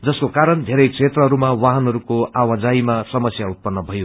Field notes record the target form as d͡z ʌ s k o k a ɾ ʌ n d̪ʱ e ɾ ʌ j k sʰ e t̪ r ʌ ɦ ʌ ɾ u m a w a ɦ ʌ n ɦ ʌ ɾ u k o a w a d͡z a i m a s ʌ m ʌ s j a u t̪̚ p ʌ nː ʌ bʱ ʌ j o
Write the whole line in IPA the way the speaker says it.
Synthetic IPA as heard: d͡z ʌ s k o k a ɾ ʌ n d̪ʱ e ɾ ʌ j k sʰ e t̪ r ʌ ɦ ʌ ɾ u m a w a ɦ ʌ n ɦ ʌ ɾ u k o a w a d͡z a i m a s ʌ m ʌ s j a u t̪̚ p ʌ nː ʌ bʱ ʌ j o